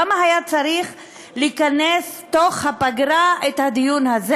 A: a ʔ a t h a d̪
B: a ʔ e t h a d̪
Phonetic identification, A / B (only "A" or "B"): B